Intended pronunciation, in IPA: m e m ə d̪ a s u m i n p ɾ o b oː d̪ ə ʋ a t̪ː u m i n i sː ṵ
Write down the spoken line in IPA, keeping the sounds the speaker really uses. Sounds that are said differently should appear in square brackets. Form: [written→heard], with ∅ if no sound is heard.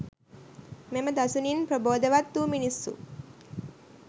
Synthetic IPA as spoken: m e m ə d̪ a s u [m→n] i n p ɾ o b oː d̪ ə ʋ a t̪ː u m i n i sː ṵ